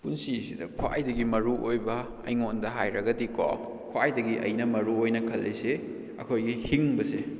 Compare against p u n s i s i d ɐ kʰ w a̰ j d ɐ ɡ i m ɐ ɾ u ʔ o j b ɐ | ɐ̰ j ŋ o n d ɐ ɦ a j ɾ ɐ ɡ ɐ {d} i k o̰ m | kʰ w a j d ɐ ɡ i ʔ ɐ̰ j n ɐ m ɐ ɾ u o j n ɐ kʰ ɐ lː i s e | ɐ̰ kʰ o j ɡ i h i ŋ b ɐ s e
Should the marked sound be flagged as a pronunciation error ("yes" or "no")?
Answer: no